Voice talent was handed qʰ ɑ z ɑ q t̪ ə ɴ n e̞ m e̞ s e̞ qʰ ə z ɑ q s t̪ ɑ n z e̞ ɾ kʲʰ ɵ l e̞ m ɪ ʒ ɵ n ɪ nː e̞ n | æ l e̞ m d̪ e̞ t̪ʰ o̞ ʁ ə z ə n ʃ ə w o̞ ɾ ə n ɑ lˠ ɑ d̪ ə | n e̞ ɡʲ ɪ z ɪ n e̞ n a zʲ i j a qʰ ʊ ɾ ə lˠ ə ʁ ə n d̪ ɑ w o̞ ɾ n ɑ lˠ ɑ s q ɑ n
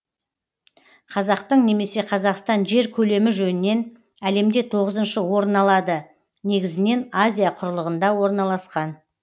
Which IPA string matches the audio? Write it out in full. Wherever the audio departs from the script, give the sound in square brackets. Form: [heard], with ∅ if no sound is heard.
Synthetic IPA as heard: qʰ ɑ z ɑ q t̪ ə ɴ n e̞ m e̞ s e̞ qʰ [ɑ] z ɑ q s t̪ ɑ n [ʒ] e̞ ɾ kʲʰ ɵ l e̞ m ɪ ʒ ɵ n ɪ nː e̞ n | æ l e̞ m d̪ e̞ t̪ʰ o̞ ʁ ə z ə n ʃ ə w o̞ ɾ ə n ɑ lˠ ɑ d̪ ə | n e̞ ɡʲ ɪ z ɪ n e̞ n a zʲ i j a qʰ ʊ ɾ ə lˠ ə ʁ ə n d̪ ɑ w o̞ ɾ n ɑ lˠ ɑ s q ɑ n